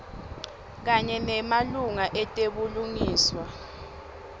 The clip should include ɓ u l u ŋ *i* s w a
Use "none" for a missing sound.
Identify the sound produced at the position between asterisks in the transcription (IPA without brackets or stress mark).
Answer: iː